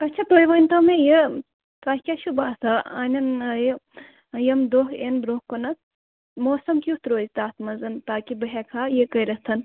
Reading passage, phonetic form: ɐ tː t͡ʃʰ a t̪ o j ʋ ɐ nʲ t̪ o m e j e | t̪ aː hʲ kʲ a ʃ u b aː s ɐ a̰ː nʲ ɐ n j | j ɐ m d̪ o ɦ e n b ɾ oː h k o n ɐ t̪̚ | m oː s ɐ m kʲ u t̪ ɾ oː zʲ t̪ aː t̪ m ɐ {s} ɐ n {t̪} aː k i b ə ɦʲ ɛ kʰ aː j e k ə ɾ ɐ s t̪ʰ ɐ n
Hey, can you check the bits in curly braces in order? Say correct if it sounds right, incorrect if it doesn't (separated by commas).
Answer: incorrect, correct